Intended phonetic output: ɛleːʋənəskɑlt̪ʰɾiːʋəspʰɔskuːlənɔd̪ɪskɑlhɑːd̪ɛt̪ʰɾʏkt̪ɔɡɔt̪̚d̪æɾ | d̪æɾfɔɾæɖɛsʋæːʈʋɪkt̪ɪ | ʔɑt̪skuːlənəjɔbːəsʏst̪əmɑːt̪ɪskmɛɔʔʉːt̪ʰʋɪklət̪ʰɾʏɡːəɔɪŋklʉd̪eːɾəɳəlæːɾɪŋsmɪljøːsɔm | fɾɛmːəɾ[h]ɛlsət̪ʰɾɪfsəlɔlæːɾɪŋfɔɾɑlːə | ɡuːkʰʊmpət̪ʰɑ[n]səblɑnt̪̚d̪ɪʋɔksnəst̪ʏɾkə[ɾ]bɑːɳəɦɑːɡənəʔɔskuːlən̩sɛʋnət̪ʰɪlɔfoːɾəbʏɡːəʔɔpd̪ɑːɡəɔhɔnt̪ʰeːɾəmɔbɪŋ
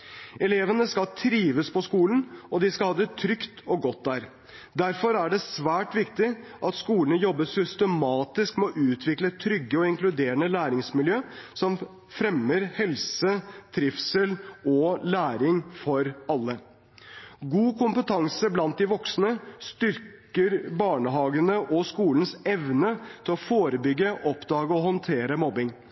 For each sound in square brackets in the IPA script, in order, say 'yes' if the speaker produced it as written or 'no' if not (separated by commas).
yes, no, yes